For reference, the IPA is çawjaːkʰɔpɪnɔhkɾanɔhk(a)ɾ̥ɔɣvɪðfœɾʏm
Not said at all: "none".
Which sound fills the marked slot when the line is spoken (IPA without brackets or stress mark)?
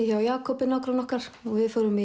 a